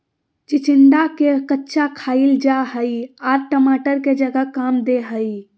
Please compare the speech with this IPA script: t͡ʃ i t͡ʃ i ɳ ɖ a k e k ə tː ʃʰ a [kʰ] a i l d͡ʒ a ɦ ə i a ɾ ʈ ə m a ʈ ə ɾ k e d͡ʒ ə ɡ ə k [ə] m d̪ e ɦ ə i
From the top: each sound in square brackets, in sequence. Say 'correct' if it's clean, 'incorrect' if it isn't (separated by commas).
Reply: correct, incorrect